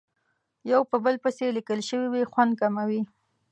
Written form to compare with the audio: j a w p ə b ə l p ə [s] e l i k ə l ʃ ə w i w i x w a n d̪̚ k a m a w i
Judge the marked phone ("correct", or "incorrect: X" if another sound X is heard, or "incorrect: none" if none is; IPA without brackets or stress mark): correct